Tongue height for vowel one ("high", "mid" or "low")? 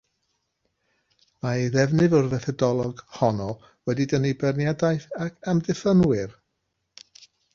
low